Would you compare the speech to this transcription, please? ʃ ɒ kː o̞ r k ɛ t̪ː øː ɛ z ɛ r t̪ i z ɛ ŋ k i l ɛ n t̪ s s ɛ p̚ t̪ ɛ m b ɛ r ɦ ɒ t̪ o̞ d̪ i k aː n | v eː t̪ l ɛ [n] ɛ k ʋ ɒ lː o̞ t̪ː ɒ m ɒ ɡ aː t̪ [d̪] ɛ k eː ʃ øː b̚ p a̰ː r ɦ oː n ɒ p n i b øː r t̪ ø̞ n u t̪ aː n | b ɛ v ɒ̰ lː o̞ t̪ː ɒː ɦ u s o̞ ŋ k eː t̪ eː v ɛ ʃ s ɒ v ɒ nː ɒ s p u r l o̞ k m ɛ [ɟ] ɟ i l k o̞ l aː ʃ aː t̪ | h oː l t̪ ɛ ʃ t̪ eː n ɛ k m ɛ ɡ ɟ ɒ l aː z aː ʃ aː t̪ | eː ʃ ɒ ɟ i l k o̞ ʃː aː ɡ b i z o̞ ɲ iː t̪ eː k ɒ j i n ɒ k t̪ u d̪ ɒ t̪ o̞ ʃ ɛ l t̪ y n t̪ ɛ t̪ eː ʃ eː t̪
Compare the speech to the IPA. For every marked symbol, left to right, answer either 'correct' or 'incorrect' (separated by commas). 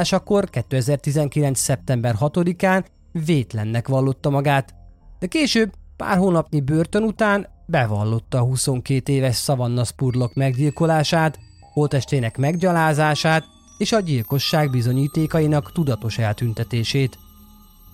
incorrect, correct, incorrect